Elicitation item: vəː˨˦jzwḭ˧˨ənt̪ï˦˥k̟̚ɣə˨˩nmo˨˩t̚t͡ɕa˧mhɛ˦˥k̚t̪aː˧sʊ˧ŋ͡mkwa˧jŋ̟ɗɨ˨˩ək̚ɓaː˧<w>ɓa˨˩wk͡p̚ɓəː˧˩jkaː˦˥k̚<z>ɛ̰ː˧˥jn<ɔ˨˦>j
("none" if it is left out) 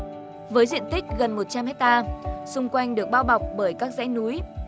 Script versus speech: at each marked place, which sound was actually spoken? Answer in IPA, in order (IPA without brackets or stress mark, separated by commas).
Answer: w, z, u˨˦